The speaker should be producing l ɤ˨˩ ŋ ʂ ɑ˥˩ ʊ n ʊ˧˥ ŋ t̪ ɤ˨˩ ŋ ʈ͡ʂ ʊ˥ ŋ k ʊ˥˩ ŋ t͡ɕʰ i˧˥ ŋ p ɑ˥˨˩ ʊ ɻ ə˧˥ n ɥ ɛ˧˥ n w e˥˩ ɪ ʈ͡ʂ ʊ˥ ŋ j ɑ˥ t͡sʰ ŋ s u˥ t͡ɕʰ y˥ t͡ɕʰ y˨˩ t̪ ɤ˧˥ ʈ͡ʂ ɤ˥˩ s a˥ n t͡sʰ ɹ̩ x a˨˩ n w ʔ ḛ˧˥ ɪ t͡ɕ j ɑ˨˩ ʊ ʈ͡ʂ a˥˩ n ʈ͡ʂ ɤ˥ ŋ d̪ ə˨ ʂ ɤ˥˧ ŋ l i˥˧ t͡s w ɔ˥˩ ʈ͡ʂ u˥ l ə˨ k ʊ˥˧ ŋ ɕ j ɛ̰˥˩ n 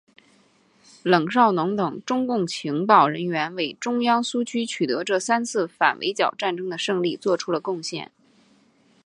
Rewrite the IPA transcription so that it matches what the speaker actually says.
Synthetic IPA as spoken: l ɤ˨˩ ŋ ʂ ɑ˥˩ ʊ n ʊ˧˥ ŋ t̪ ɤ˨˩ ŋ ʈ͡ʂ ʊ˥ ŋ k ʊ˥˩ ŋ t͡ɕʰ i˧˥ ŋ p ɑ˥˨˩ ʊ ɻ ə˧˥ n ɥ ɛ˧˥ n w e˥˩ ɪ ʈ͡ʂ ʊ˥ ŋ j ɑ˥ ŋ s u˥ t͡ɕʰ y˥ t͡ɕʰ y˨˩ t̪ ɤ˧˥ ʈ͡ʂ ɤ˥˩ s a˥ n t͡sʰ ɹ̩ f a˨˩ n w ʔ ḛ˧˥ ɪ t͡ɕ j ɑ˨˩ ʊ ʈ͡ʂ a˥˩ n ʈ͡ʂ ɤ˥ ŋ d̪ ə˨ ʂ ɤ˥˧ ŋ l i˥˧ t͡s w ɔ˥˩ ʈ͡ʂʰ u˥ l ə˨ k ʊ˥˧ ŋ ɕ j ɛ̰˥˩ n

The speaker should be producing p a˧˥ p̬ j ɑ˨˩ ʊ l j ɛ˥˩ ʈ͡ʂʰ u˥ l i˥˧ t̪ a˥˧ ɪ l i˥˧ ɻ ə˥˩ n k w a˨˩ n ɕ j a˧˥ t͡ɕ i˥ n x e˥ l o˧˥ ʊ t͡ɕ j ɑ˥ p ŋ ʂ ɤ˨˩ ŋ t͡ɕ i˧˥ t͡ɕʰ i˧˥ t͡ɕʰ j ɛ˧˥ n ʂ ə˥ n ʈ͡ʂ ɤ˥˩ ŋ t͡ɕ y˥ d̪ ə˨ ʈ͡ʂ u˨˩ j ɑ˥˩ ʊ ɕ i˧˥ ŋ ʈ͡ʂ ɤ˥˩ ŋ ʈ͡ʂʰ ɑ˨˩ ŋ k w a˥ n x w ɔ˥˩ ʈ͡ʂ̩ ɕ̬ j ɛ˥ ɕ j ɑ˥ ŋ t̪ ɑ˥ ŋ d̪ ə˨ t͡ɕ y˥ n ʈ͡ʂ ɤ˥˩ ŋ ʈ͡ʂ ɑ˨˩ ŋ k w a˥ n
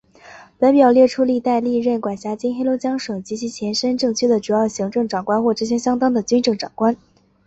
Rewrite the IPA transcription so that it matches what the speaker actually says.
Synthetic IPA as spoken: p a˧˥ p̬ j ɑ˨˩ ʊ l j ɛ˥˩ ʈ͡ʂʰ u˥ l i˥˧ t̪ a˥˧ ɪ l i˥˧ ɻ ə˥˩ n k w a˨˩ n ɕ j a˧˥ t͡ɕ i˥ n x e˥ l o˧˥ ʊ t͡ɕ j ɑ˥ ŋ ʂ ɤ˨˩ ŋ t͡ɕ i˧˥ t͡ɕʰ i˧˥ t͡ɕʰ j ɛ˧˥ n ʂ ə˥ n ʈ͡ʂ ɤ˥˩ ŋ t͡ɕʰ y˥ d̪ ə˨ ʈ͡ʂ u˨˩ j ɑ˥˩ ʊ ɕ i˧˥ ŋ ʈ͡ʂ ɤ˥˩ ŋ ʈ͡ʂ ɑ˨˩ ŋ k w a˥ n x w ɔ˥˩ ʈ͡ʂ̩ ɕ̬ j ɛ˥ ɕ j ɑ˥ ŋ t̪ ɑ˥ ŋ d̪ ə˨ t͡ɕ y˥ n ʈ͡ʂ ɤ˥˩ ŋ ʈ͡ʂ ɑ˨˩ ŋ k w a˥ n

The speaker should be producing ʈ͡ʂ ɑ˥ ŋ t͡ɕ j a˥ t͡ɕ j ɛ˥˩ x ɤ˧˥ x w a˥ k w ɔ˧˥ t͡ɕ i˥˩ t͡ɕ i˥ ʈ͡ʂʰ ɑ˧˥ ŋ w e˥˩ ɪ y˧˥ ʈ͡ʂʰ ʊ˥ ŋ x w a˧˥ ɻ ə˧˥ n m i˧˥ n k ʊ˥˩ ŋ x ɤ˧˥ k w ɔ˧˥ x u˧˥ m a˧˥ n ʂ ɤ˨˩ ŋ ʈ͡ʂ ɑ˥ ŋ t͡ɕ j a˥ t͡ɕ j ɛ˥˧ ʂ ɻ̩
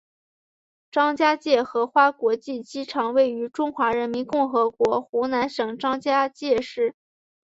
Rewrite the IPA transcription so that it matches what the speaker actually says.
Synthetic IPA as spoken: ʈ͡ʂ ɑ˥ ŋ t͡ɕ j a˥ t͡ɕ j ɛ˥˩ x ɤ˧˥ x w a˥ k w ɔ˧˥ t͡ɕ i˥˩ t͡ɕ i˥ ʈ͡ʂʰ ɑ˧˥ ŋ w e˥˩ ɪ y˧˥ ʈ͡ʂ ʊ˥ ŋ x w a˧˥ ɻ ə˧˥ n m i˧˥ n k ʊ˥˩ ŋ x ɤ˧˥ k w ɔ˧˥ x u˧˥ n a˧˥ n ʂ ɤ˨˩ ŋ ʈ͡ʂ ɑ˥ ŋ t͡ɕ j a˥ t͡ɕ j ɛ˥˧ ʂ ɻ̩

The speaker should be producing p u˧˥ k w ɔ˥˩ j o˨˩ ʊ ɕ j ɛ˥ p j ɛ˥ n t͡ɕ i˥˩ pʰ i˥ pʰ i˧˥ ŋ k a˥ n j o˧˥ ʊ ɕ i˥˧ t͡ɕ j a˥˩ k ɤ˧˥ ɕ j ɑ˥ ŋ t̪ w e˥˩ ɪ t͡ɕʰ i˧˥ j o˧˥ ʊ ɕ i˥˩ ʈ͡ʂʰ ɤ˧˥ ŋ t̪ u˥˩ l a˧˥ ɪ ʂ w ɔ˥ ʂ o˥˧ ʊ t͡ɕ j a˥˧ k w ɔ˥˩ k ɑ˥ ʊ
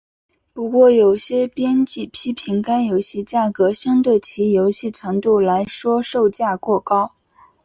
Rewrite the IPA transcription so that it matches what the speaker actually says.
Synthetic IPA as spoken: p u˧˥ k w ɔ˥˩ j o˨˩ ʊ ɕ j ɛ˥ p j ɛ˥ n t͡ɕ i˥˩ pʰ i˥ pʰ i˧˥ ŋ k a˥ n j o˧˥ ʊ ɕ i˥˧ t͡ɕ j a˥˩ k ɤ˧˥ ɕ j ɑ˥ ŋ t̪ w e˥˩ ɪ t͡ɕʰ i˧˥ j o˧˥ ʊ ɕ i˥˩ ʈ͡ʂʰ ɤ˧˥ ŋ t̪ u˥˩ l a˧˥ ɪ ʂ w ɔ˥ ʂ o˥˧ ʊ t͡ɕ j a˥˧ k w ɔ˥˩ k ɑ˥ ʊ

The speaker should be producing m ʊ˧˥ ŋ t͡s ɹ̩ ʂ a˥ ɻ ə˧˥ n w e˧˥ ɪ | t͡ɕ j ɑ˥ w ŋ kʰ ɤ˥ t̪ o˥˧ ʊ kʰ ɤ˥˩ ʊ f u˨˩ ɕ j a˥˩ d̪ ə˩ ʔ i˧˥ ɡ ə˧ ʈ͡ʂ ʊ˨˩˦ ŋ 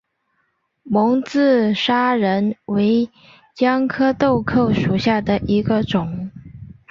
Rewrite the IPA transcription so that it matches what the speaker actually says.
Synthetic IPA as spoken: m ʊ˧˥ ŋ t͡s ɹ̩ ʂ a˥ ɻ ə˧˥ n w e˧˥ ɪ | t͡ɕ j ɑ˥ ŋ kʰ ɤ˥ t̪ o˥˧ ʊ kʰ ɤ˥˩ ʊ ʂ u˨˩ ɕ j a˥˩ d̪ ə˩ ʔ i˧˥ ɡ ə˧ ʈ͡ʂ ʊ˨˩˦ ŋ

